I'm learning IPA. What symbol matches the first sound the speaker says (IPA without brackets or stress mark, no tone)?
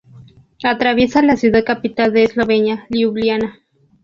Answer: a